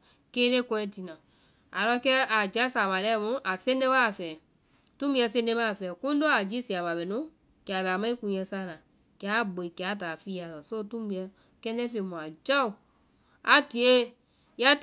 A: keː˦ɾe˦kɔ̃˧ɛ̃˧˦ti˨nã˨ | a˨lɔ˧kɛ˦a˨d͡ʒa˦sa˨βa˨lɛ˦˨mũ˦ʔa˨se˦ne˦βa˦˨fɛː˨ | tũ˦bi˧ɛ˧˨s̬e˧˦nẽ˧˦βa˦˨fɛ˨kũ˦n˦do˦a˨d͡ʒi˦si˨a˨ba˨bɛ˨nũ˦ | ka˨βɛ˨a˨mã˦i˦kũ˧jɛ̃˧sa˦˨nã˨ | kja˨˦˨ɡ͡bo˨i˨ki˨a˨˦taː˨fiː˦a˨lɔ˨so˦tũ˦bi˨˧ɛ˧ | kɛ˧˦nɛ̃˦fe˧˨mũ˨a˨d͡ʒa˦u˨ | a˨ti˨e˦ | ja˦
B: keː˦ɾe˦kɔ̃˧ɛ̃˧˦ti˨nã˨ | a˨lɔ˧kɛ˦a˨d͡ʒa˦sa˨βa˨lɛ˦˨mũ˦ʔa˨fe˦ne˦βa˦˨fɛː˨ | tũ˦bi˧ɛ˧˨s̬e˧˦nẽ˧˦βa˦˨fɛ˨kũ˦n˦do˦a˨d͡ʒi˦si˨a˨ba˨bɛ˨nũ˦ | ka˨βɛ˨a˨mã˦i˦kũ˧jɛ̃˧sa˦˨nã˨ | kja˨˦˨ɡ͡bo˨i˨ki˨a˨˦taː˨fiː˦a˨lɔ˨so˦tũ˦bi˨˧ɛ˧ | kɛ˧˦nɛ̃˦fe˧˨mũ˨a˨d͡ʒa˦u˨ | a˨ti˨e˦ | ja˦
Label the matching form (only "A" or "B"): A